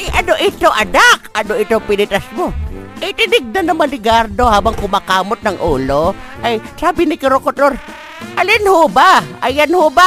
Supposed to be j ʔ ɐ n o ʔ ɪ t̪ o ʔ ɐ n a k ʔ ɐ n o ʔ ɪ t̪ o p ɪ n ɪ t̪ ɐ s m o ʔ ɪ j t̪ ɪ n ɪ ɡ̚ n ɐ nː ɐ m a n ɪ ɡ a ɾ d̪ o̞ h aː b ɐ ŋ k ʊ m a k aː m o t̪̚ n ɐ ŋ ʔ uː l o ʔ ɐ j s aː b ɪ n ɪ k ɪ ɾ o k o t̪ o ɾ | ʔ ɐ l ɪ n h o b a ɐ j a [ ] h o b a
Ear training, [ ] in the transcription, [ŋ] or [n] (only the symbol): n